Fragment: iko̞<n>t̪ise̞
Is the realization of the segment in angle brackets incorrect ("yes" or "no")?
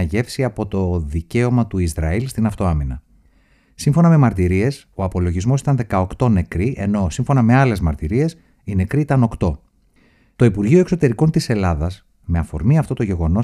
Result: no